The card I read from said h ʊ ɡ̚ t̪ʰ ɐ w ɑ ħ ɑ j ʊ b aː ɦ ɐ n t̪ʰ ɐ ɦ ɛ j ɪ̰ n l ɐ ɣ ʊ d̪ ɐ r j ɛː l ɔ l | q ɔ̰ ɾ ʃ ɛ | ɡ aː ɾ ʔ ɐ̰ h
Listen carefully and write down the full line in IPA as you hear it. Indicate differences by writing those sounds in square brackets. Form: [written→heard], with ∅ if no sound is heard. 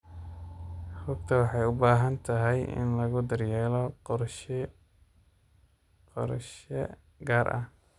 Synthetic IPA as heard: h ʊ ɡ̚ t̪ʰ ɐ w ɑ ħ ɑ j ʊ b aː ɦ ɐ n t̪ʰ ɐ ɦ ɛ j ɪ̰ n l ɐ ɣ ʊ d̪ ɐ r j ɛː l ɔ [l→∅] | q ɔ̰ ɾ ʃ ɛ | ɡ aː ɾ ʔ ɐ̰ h

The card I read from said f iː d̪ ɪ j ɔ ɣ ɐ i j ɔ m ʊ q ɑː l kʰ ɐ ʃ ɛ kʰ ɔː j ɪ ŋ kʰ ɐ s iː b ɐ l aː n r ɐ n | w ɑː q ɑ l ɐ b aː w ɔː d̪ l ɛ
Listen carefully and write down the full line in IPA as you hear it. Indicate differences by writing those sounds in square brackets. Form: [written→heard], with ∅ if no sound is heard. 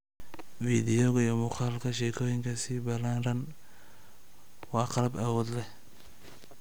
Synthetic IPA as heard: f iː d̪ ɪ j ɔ ɣ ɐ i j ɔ m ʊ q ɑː l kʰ ɐ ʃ ɛ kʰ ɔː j ɪ ŋ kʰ ɐ s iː b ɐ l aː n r ɐ n | w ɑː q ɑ l ɐ b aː w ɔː d̪ l ɛ

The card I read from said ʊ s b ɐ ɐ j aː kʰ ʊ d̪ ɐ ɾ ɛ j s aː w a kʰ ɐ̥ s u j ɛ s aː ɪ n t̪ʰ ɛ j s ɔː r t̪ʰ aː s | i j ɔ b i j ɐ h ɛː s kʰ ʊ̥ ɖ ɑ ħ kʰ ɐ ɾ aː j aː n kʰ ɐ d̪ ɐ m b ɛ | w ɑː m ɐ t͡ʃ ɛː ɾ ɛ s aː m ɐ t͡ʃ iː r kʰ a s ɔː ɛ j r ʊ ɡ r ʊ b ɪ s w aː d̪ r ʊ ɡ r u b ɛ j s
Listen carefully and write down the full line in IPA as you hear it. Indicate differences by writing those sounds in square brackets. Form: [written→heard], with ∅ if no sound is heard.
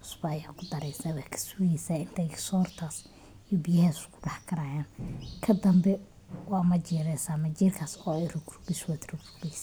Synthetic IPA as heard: ʊ s b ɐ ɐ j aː kʰ ʊ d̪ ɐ ɾ ɛ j s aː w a kʰ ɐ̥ s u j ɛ s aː ɪ n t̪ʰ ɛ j s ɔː r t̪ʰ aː s | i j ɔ b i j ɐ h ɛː s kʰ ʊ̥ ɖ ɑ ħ kʰ ɐ ɾ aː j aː n kʰ ɐ d̪ ɐ m b ɛ | w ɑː m ɐ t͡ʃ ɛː ɾ ɛ s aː m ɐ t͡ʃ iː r kʰ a s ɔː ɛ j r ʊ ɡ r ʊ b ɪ s w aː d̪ r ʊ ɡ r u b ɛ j s

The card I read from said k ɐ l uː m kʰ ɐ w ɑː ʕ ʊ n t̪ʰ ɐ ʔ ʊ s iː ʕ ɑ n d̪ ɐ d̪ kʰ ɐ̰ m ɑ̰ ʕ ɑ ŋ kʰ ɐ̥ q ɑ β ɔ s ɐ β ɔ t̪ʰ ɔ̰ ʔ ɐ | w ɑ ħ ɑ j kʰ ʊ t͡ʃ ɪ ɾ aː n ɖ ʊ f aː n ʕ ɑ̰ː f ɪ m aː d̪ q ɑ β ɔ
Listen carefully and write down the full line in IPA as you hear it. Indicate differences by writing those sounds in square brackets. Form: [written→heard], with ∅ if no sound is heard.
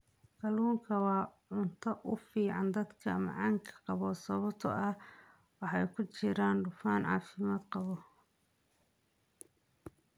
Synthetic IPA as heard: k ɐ l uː [m→ŋ] kʰ ɐ w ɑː ʕ ʊ n t̪ʰ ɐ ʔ ʊ [s→f] iː ʕ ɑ n d̪ ɐ d̪ kʰ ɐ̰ m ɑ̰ ʕ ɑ ŋ kʰ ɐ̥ q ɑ β ɔ s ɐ β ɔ t̪ʰ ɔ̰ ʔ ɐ | w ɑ ħ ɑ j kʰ ʊ t͡ʃ ɪ ɾ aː n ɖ ʊ f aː n ʕ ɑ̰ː f ɪ m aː d̪ q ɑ β ɔ

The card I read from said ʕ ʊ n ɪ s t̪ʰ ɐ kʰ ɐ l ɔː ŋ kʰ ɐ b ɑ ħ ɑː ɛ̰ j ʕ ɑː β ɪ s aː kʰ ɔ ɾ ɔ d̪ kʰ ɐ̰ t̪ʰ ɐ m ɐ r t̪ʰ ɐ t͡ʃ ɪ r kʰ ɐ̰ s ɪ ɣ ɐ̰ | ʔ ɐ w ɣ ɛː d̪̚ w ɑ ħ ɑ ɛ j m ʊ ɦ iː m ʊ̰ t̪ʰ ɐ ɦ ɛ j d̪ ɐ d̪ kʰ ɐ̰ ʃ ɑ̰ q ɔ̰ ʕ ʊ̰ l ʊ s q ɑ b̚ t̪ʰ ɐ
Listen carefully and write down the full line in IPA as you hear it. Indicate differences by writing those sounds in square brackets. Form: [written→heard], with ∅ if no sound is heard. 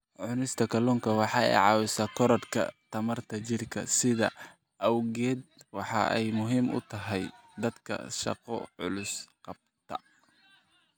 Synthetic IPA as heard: ʕ ʊ n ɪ s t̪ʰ ɐ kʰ ɐ l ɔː ŋ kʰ ɐ [b→w] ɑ ħ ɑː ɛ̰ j ʕ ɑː [β→w] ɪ s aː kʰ ɔ ɾ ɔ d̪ kʰ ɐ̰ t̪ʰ ɐ m ɐ r t̪ʰ ɐ t͡ʃ ɪ r kʰ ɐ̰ s ɪ [ɣ→ð] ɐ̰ | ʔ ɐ w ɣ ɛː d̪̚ w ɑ ħ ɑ ɛ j m ʊ ɦ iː m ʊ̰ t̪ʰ ɐ ɦ ɛ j d̪ ɐ d̪ kʰ ɐ̰ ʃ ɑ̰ q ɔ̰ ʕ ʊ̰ l ʊ s q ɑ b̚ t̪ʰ ɐ

